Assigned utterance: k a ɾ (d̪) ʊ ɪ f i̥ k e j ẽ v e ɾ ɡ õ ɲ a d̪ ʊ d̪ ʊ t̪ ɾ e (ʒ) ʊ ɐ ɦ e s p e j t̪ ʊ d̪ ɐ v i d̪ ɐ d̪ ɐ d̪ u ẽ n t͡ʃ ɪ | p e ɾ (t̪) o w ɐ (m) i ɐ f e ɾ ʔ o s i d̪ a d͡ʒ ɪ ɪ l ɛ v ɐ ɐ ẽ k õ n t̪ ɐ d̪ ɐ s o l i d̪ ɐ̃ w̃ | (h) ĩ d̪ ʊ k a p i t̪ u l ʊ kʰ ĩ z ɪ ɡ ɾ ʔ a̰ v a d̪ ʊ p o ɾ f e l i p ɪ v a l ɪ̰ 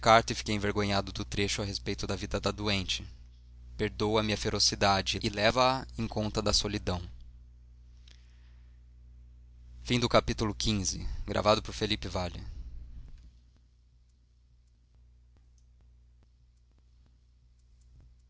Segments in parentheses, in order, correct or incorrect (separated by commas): incorrect, incorrect, incorrect, correct, incorrect